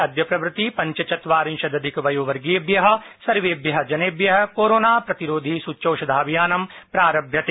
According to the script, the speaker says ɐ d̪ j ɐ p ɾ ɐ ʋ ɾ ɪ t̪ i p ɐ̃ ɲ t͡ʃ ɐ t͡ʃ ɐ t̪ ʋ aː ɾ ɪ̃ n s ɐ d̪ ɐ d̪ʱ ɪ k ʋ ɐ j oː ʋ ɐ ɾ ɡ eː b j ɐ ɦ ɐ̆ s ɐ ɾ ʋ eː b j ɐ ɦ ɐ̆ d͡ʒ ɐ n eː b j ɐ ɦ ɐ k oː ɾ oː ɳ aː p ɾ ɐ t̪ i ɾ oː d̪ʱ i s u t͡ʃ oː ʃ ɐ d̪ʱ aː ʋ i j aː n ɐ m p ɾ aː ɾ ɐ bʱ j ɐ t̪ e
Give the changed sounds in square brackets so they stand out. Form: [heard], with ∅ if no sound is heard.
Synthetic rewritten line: ɐ d̪ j ɐ p ɾ ɐ ʋ ɾ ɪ t̪ i p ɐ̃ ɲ t͡ʃ ɐ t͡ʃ ɐ t̪ ʋ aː ɾ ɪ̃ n [ʃ] ɐ d̪ ɐ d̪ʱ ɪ k ʋ ɐ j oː ʋ ɐ ɾ ɡ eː b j ɐ ɦ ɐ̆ s ɐ ɾ ʋ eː b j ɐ ɦ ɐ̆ d͡ʒ ɐ n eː b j ɐ ɦ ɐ k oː ɾ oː [n] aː p ɾ ɐ t̪ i ɾ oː d̪ʱ i s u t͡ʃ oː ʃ ɐ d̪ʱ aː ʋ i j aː n ɐ m p ɾ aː ɾ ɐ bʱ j ɐ t̪ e